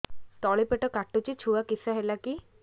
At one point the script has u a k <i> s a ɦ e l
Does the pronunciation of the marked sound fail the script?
no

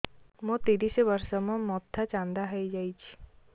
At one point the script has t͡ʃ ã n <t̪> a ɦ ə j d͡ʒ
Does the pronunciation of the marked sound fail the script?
yes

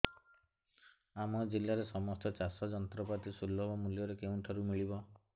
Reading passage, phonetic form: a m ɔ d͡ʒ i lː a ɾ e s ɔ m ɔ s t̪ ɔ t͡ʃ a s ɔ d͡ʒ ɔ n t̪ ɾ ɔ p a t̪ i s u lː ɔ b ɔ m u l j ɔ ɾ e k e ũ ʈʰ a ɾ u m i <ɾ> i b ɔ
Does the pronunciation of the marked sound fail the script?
yes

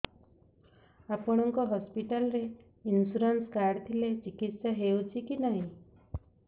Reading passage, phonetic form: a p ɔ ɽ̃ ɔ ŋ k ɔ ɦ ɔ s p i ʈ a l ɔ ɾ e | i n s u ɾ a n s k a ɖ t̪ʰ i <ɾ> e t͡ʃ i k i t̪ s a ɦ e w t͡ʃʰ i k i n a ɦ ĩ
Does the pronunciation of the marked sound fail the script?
yes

